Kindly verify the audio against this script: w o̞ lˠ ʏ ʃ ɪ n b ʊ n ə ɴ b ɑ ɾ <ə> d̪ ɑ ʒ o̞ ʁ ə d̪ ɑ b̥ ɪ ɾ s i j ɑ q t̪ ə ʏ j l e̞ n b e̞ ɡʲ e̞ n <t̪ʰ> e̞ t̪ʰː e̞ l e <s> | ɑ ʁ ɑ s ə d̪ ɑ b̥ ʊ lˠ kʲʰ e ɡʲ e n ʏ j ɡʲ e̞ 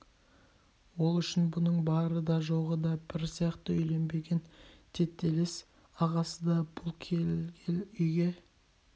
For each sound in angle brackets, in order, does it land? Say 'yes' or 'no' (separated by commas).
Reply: yes, yes, yes